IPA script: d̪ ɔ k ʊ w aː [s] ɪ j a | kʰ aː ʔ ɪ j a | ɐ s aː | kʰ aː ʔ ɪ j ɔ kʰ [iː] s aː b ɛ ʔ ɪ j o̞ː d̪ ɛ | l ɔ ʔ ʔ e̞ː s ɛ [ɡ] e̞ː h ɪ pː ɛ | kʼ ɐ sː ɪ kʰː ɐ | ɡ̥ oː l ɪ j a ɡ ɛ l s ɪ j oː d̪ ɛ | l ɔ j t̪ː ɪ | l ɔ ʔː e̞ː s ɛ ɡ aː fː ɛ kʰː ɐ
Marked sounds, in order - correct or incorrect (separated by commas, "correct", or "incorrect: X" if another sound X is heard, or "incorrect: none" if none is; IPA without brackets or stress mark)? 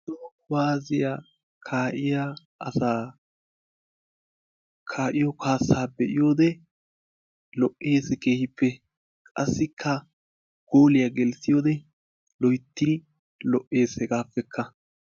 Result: incorrect: z, incorrect: aː, incorrect: k